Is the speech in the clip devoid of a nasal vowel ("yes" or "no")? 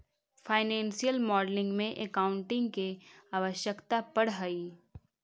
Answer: no